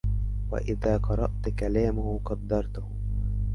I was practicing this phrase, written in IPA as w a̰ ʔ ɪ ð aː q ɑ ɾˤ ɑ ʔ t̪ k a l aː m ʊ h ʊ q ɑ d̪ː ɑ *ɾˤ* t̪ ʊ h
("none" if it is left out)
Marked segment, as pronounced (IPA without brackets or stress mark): ɾˤ